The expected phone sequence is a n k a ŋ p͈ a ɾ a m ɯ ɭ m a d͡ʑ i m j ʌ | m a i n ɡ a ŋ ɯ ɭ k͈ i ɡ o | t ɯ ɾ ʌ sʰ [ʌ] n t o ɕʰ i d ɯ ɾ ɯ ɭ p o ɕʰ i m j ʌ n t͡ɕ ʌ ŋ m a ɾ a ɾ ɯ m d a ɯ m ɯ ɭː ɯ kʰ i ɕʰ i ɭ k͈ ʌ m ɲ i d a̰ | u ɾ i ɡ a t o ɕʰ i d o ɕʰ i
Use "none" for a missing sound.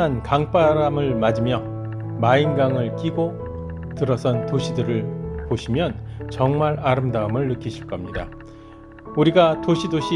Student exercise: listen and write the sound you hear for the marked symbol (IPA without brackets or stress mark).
ʌ